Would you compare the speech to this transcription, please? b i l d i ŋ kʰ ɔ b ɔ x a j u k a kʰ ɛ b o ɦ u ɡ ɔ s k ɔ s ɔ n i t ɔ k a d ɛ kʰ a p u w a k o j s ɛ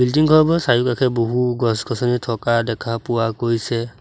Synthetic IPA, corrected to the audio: b i l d i ŋ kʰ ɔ b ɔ s a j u k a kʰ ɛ b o ɦ u ɡ ɔ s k ɔ s ɔ n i tʰ ɔ k a d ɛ kʰ a p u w a k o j s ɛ

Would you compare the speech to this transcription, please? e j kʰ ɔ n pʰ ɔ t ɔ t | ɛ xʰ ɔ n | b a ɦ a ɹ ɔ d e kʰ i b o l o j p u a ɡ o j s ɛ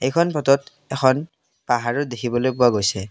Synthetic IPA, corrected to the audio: e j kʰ ɔ n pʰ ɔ t ɔ t | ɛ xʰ ɔ n | p a ɦ a ɹ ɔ d e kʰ i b ɔ l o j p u a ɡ o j s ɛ

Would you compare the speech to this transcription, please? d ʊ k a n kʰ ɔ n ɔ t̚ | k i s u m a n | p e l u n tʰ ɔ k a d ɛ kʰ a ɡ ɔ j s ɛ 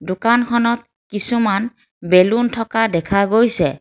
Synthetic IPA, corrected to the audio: d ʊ k a n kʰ ɔ n ɔ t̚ | k i s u m a n | b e l u n tʰ ɔ k a d ɛ kʰ a ɡ o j s ɛ

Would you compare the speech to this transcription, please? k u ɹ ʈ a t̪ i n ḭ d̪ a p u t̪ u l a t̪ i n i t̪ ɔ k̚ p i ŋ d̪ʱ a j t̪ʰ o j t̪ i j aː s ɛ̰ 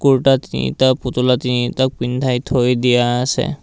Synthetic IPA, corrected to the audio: k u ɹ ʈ a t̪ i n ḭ t̪ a p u t̪ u l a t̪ i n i t̪ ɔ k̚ p i n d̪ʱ a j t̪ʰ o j d̪ i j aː s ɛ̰

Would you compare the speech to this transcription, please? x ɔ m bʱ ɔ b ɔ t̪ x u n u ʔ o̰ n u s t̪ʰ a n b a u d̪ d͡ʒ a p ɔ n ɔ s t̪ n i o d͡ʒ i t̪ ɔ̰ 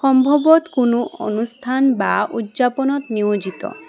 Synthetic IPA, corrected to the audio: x ɔ m bʱ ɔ b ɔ t̪ k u n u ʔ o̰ n u s t̪ʰ a n b a u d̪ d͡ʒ a p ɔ n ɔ t̪ n i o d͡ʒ i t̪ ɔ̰

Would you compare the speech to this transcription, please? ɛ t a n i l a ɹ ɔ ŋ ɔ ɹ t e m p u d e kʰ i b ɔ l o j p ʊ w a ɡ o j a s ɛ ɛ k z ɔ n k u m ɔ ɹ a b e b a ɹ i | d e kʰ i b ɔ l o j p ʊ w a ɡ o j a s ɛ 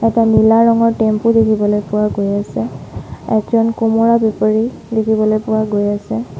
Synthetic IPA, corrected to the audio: ɛ t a n i l a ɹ ɔ ŋ ɔ ɹ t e m p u d e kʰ i b ɔ l o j p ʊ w a ɡ o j a s ɛ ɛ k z ɔ n k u m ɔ ɹ a b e p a ɹ i | d e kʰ i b ɔ l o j p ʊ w a ɡ o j a s ɛ

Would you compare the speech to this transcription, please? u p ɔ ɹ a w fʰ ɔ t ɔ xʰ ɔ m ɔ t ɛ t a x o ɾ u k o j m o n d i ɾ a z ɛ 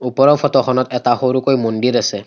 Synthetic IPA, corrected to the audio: u p ɔ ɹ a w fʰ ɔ t ɔ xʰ ɔ n ɔ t ɛ t a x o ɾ u k o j m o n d i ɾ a s ɛ

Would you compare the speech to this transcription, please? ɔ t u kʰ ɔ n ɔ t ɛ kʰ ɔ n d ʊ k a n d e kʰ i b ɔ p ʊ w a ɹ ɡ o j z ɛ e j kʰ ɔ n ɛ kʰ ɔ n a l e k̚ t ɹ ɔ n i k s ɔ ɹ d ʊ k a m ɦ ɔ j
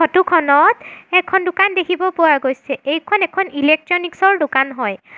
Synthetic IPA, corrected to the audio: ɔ t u kʰ ɔ n ɔ t ɛ kʰ ɔ n d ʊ k a n d e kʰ i b ɔ p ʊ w a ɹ ɡ o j s ɛ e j kʰ ɔ n ɛ kʰ ɔ n i l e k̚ t ɹ ɔ n i k s ɔ ɹ d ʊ k a n ɦ ɔ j

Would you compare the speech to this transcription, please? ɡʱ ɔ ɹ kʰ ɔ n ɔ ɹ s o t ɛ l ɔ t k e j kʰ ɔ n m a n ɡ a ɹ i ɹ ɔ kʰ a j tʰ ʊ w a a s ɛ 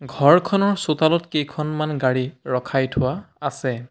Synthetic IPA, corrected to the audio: ɡʱ ɔ ɹ kʰ ɔ n ɔ ɹ s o t a l ɔ t k e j kʰ ɔ n m a n ɡ a ɹ i ɹ ɔ kʰ a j tʰ ʊ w a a s ɛ

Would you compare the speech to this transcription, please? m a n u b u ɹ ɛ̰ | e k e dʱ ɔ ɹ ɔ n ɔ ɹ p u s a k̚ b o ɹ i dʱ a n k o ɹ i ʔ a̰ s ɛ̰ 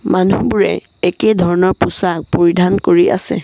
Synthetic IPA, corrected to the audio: m a n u b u ɹ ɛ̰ | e k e dʱ ɔ ɹ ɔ n ɔ ɹ p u s a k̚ p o ɹ i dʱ a n k o ɹ i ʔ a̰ s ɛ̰

